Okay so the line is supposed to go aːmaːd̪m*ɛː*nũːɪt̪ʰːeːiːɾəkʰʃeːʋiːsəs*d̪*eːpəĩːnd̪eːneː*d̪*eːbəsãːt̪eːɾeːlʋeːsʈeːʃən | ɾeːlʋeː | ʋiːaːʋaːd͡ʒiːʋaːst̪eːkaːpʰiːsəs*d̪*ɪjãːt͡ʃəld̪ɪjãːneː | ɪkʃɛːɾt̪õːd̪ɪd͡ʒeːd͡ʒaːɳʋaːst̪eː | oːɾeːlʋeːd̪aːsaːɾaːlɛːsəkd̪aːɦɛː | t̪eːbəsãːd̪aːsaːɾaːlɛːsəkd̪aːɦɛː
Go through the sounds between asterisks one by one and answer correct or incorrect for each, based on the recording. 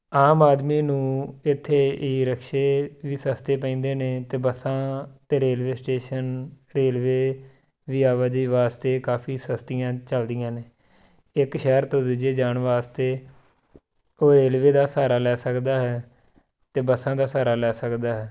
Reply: incorrect, incorrect, incorrect, incorrect

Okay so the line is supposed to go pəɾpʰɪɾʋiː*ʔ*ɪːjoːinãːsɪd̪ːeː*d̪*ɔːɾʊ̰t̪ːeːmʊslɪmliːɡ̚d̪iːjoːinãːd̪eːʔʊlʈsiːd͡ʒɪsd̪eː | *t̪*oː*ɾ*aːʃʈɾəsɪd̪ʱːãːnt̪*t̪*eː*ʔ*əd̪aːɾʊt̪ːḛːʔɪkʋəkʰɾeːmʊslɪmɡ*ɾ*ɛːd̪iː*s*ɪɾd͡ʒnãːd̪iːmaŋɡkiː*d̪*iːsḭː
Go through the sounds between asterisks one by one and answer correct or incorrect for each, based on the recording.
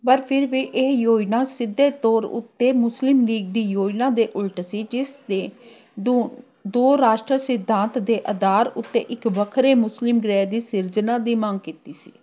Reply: correct, incorrect, incorrect, correct, incorrect, correct, correct, correct, incorrect

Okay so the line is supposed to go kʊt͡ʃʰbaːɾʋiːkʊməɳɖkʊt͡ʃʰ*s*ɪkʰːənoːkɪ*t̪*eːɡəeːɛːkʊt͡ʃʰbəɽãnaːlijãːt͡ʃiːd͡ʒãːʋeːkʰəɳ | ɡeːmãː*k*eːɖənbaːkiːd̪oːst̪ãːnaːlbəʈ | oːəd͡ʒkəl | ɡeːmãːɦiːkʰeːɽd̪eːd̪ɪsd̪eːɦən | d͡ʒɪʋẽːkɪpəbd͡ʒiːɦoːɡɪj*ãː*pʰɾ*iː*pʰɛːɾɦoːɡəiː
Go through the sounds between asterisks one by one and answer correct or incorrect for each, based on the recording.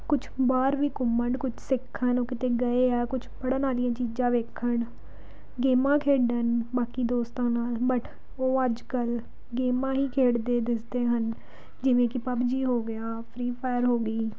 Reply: correct, correct, incorrect, incorrect, correct

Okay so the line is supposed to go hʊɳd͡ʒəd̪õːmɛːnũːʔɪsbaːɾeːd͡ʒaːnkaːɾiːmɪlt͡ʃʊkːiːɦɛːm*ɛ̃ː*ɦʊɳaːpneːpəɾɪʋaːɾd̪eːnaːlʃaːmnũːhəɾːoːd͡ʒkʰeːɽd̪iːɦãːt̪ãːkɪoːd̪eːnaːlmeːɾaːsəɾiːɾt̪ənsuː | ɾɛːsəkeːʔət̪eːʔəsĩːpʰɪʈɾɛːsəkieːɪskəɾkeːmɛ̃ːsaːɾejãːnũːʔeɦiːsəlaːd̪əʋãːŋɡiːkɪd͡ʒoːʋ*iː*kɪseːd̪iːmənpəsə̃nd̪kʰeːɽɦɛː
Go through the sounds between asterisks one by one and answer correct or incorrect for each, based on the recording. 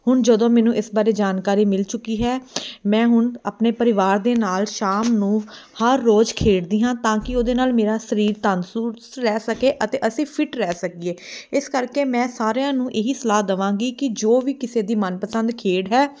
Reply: correct, correct

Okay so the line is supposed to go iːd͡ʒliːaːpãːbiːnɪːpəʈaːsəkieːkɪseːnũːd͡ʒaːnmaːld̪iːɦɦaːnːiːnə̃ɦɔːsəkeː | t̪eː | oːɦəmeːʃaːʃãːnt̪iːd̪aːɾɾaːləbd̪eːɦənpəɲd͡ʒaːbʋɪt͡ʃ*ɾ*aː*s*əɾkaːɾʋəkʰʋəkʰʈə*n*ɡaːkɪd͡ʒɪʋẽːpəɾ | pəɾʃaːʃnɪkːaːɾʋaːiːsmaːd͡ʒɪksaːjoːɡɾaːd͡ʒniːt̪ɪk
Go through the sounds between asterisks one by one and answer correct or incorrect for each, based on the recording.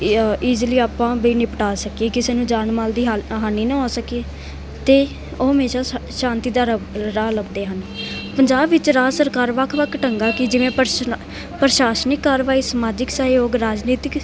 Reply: correct, correct, incorrect

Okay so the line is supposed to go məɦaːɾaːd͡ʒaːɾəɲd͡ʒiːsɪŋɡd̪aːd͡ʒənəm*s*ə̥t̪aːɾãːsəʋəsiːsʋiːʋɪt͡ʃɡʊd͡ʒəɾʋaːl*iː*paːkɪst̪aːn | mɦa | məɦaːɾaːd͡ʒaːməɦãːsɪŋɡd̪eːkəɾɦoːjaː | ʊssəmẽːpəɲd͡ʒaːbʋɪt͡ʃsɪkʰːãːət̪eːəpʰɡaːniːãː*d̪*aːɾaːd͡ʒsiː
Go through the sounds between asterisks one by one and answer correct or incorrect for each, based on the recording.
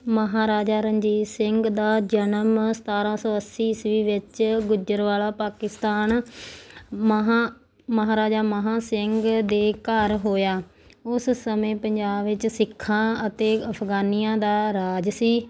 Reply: correct, incorrect, correct

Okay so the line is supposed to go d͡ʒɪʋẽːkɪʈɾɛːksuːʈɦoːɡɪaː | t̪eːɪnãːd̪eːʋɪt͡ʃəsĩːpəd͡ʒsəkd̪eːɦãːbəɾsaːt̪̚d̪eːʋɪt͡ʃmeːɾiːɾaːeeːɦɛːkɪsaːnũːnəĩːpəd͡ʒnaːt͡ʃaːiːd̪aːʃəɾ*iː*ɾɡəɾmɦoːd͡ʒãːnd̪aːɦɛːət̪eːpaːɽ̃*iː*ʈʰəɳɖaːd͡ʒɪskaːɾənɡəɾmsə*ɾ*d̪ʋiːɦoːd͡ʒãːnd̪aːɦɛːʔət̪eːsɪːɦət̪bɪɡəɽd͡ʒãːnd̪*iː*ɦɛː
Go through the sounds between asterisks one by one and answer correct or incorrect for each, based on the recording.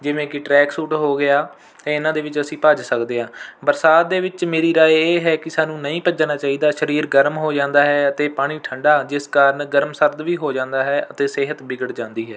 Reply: correct, correct, correct, correct

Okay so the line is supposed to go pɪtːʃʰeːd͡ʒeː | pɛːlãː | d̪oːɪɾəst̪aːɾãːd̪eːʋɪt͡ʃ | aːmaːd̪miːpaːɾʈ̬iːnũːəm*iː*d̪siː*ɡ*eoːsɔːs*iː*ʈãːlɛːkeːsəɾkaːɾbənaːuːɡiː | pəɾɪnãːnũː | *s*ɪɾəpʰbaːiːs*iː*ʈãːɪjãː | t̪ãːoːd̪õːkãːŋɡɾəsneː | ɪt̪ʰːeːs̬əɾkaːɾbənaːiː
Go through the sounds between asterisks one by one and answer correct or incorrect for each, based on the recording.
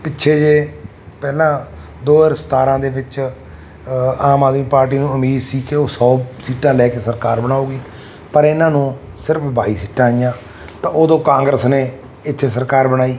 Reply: correct, incorrect, correct, correct, correct

